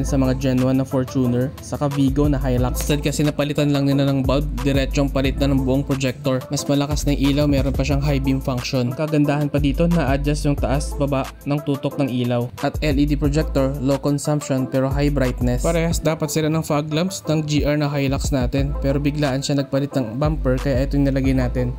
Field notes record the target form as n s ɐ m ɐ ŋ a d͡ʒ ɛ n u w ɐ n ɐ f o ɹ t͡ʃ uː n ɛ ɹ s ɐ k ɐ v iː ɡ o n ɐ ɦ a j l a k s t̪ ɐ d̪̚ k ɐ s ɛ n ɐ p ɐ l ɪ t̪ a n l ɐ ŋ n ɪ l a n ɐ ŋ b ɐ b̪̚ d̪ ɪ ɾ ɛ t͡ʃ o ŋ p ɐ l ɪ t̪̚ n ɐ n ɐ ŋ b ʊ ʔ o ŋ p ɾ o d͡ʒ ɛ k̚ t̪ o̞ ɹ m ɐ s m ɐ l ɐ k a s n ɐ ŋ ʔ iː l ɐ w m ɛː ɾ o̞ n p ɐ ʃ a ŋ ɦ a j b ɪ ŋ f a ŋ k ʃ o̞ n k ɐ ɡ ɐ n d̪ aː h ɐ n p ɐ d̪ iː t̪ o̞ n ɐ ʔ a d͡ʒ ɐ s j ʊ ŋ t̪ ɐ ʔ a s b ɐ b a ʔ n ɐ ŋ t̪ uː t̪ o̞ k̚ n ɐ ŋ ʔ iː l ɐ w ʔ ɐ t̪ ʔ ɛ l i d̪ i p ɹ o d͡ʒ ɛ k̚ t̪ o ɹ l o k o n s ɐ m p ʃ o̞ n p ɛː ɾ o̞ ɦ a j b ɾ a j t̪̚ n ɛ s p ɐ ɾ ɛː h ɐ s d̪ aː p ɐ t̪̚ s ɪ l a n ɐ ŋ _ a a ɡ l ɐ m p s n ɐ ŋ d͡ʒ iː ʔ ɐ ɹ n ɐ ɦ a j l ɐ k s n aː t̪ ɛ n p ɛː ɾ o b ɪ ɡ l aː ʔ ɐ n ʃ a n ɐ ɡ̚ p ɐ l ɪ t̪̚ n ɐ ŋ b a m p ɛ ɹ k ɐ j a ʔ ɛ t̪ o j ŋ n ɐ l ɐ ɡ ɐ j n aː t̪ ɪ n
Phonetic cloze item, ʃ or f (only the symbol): f